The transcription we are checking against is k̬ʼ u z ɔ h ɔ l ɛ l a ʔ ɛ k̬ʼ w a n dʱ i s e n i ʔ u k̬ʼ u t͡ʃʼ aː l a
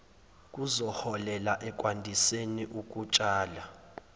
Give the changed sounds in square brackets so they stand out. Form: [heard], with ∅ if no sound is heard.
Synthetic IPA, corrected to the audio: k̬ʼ u z ɔ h ɔ l ɛ l a ʔ ɛ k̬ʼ w a n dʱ i s e n i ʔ u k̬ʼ u t͡ʃʼ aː l a